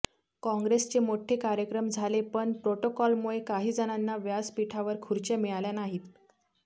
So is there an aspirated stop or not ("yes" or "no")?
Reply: yes